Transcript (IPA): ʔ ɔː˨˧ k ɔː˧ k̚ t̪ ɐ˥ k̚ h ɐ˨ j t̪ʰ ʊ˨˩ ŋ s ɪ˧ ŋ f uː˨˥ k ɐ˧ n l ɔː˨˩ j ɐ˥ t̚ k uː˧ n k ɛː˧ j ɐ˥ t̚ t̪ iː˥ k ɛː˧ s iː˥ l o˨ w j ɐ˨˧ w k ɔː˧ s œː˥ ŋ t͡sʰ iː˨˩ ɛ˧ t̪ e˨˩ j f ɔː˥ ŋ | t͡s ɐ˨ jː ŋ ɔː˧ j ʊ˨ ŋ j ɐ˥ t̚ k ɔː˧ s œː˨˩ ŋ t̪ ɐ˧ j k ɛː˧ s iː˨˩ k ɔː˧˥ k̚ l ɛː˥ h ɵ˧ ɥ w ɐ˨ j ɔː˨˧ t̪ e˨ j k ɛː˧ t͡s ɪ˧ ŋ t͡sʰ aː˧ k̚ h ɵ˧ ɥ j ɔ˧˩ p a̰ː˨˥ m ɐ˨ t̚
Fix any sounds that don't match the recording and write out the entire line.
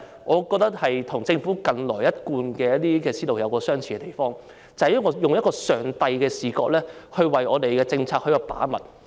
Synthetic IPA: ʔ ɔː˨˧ k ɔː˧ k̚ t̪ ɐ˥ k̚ h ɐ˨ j t̪ʰ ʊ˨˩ ŋ t͡s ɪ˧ ŋ f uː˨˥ k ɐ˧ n l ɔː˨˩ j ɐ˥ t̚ k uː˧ n k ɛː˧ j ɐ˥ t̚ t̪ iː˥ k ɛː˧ s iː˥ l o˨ w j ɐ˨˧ w k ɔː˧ s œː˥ ŋ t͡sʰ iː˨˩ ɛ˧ t̪ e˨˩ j f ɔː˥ ŋ | t͡s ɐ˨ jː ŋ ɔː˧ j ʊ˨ ŋ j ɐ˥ t̚ k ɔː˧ s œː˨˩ ŋ t̪ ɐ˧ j k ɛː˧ s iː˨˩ k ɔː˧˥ k̚ l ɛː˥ h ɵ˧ ɥ w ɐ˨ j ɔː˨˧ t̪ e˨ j k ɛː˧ t͡s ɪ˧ ŋ t͡sʰ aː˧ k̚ h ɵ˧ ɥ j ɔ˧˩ p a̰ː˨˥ m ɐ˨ t̚